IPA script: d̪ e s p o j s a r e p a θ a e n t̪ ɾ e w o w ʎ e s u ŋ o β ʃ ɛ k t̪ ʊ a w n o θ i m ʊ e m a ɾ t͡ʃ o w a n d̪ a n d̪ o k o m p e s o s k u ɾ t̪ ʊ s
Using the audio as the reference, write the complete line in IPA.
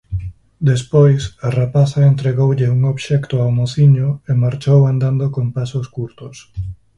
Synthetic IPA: d̪ e s p o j s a r a p a θ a e n t̪ ɾ e ɣ o w ʎ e u ŋ o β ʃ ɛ k t̪ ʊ a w m o θ i ɲ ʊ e m a ɾ t͡ʃ o w a n d̪ a n d̪ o k o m p a s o s k u ɾ t̪ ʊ s